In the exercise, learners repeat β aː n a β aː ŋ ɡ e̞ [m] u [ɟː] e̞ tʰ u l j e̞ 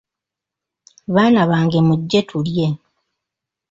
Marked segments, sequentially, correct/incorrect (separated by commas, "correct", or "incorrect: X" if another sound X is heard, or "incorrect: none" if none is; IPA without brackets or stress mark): correct, correct